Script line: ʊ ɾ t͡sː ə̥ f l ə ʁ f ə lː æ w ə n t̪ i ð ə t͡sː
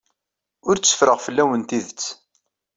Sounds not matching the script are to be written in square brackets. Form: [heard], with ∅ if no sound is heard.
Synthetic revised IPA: ʊ ɾ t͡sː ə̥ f [ɾ] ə ʁ f ə lː æ w ə n t̪ i ð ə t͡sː